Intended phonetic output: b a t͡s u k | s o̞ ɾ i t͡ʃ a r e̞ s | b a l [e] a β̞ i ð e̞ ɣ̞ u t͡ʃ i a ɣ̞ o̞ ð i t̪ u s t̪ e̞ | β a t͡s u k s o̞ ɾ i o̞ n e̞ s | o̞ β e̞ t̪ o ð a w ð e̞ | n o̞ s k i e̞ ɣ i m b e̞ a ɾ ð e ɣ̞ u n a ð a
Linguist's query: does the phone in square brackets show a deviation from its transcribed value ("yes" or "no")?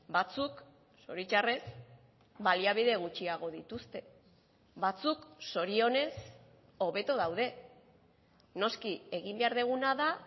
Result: yes